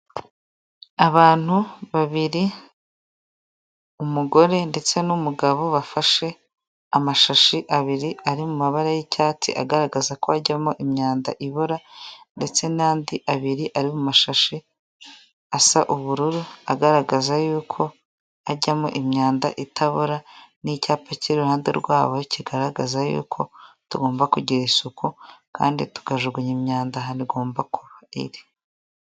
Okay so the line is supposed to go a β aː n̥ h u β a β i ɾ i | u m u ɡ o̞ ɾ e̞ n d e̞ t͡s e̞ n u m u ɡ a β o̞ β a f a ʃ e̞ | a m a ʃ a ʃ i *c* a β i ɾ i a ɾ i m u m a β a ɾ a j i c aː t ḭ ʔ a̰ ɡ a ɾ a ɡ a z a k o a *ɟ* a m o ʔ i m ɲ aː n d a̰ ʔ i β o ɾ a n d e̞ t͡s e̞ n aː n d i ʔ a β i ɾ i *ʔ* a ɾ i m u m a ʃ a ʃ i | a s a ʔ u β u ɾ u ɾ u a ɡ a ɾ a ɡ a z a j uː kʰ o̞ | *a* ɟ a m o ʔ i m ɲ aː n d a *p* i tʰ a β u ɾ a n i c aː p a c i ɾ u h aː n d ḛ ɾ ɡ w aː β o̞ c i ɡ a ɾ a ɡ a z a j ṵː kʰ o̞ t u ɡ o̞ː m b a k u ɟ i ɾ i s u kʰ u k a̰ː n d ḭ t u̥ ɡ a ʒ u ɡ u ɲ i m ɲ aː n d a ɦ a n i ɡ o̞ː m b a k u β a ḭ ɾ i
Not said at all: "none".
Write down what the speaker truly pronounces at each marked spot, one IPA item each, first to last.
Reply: ʔ, ɟ, ʔ, a, ʔ

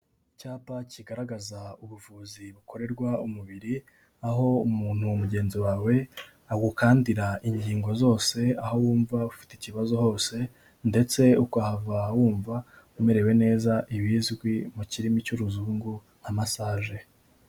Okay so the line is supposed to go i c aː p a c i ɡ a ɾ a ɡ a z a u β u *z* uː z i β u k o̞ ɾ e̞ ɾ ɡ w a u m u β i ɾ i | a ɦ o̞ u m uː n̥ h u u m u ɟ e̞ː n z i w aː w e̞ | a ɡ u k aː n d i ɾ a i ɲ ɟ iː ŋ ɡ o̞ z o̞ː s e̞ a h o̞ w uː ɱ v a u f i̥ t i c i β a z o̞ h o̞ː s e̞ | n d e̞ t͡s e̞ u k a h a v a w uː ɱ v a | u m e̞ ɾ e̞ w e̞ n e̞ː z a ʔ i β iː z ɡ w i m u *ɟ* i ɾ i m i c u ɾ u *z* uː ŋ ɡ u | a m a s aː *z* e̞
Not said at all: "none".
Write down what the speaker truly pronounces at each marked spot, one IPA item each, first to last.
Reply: v, c, z, ʒ

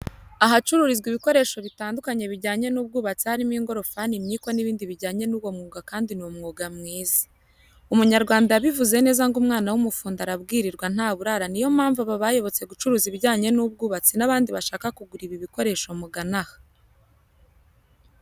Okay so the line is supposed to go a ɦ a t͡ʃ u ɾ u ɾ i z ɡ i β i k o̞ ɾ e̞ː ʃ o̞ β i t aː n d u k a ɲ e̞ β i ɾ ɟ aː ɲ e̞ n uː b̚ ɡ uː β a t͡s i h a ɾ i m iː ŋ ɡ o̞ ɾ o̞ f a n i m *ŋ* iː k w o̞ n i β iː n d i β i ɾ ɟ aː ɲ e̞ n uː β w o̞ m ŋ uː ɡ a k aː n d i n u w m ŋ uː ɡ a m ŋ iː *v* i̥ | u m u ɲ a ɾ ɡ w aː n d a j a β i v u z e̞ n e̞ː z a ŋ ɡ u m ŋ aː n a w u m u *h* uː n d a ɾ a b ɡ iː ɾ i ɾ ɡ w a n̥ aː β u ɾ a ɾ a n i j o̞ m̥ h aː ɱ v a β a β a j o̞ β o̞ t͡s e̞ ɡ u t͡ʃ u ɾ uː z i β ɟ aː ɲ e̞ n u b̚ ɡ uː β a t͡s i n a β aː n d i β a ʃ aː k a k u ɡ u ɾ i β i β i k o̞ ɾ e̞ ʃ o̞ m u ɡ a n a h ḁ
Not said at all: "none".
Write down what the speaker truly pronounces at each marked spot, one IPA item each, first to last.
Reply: ɲ, z, f

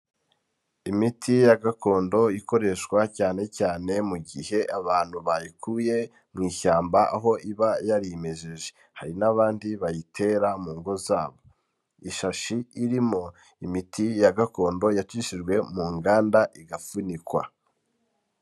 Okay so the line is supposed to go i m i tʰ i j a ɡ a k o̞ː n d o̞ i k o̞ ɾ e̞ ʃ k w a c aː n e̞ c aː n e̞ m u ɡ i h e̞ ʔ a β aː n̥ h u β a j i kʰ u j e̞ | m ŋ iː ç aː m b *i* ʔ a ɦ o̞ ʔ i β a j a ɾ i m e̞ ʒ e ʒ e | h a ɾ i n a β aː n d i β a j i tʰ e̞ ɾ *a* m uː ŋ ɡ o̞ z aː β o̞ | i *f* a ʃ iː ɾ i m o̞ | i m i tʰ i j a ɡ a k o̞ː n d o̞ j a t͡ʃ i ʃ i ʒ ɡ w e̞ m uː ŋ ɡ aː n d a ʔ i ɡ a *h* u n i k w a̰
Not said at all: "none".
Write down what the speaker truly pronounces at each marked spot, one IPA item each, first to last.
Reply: a, a, ʃ, f

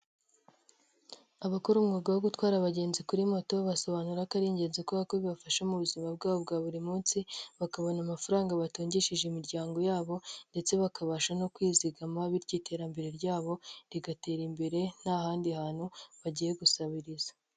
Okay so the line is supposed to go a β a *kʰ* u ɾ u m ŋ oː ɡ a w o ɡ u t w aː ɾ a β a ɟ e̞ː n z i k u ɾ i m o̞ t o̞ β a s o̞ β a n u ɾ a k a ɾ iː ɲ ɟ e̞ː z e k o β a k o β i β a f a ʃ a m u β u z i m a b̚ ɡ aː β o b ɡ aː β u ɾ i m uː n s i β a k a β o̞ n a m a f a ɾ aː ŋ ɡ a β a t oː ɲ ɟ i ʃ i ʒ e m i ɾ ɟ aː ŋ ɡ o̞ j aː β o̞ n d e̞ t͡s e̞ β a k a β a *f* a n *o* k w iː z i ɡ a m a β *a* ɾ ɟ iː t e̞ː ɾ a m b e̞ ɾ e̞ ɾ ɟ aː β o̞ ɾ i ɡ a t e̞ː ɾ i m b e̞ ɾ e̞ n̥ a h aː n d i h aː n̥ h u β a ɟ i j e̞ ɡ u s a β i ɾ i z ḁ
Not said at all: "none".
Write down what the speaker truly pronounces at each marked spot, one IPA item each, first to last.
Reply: k, ʃ, o, i

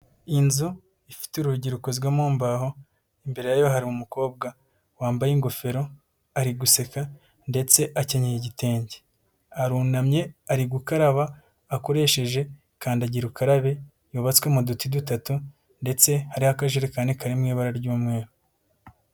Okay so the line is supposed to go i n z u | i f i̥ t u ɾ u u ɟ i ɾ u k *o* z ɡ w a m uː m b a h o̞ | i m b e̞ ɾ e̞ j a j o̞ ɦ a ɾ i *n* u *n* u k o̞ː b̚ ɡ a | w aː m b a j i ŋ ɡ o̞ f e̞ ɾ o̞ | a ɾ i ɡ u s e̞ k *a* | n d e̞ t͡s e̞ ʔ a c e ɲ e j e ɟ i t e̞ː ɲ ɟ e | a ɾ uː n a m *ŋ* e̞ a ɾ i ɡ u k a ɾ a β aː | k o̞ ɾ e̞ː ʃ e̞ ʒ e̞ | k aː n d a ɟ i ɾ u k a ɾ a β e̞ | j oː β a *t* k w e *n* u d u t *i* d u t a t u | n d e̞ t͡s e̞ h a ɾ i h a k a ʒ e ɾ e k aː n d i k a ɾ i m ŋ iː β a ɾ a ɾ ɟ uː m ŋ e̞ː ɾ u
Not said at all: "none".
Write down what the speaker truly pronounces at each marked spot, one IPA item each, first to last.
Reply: o, m, m, a, ɲ, t͡s, m, i

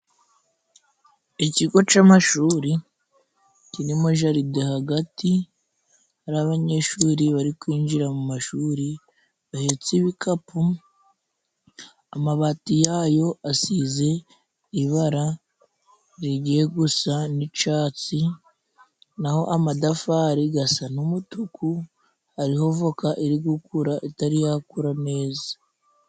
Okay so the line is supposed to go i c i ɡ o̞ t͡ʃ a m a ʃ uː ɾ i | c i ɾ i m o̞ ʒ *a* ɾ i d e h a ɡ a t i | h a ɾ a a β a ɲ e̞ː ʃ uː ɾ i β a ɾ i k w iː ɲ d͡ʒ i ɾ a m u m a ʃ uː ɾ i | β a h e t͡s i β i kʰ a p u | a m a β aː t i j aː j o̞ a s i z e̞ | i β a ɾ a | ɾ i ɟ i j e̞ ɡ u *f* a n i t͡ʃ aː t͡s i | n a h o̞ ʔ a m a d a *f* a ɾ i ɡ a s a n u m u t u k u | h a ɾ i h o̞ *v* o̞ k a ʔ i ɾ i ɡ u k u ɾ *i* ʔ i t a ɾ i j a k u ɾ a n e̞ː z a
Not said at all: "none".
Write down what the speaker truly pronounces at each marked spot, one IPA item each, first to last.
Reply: a, s, f, v, a

